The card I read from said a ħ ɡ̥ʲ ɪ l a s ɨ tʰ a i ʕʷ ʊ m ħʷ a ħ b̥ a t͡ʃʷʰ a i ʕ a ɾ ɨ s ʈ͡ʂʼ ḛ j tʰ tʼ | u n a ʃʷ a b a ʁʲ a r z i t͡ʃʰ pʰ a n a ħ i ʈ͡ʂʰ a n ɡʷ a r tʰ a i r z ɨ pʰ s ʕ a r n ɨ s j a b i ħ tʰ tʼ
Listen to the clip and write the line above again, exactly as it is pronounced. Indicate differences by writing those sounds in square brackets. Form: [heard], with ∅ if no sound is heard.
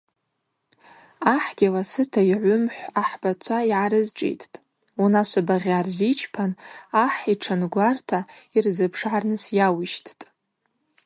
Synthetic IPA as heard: a ħ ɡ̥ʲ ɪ l a s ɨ tʰ a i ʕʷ ʊ m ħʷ a ħ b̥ a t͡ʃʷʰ a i ʕ a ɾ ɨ [z] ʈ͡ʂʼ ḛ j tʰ tʼ | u n a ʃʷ a b a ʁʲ a r z i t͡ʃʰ pʰ a n a ħ i ʈ͡ʂʰ a n ɡʷ a r tʰ a i r z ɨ pʰ [ʂ] ʕ a r n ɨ s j a [w] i [ʃ] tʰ tʼ